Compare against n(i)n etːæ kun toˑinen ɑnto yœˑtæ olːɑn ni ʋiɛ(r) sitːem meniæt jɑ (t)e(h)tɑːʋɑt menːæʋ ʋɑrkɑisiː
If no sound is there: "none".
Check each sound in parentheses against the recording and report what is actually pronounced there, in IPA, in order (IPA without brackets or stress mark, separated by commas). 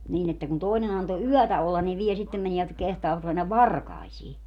iː, none, k, h